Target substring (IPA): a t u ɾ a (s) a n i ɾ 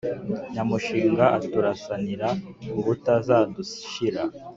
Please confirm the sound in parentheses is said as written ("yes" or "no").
yes